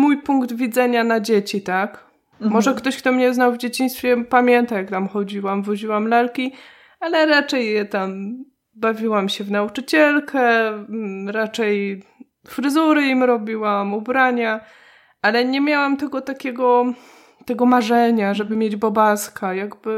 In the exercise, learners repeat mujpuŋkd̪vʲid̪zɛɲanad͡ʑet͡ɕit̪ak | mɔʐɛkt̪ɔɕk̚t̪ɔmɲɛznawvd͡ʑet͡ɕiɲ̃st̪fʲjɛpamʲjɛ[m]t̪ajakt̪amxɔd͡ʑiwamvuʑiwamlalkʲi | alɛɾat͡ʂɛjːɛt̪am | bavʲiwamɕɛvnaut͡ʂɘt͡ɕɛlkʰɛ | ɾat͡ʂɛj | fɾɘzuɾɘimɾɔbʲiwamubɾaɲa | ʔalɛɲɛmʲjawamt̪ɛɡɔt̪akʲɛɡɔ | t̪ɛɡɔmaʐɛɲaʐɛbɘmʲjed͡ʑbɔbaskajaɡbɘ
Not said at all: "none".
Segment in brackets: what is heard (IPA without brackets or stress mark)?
n